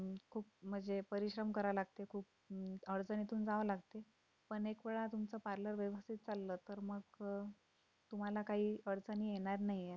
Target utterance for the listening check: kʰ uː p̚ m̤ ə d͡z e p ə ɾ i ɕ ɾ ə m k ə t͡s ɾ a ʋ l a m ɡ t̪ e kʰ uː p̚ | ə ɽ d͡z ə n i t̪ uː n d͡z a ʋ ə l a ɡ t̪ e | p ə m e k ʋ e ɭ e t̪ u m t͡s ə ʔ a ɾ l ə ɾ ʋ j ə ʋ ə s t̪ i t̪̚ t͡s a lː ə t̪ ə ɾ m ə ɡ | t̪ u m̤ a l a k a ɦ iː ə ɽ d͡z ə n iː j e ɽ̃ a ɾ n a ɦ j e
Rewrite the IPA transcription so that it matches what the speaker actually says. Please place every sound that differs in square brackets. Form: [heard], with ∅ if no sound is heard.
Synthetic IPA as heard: kʰ uː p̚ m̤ ə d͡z e p ə ɾ i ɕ ɾ ə m k ə [∅] ɾ a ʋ l a [∅] ɡ t̪ e kʰ uː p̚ | ə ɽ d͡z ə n i t̪ uː n d͡z a ʋ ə l a ɡ t̪ e | p ə [ɳ] e k ʋ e ɭ [a] t̪ u m t͡s ə [p] a ɾ l ə ɾ ʋ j ə ʋ ə s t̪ i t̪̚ t͡s a lː ə t̪ ə ɾ m ə ɡ | t̪ u m̤ a l a k a ɦ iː ə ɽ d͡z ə n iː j e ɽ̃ a ɾ n a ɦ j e